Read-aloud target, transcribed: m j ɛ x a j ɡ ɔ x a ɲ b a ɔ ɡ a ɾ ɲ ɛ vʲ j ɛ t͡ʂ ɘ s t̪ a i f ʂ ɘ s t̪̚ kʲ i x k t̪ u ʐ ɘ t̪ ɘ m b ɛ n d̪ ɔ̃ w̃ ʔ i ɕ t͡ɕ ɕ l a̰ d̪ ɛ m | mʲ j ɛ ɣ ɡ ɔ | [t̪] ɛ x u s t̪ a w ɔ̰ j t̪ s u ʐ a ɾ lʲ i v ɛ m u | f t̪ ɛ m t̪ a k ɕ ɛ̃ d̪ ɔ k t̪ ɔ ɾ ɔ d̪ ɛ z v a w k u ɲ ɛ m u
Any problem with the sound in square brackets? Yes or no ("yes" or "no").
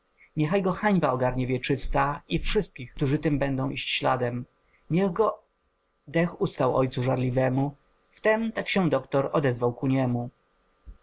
yes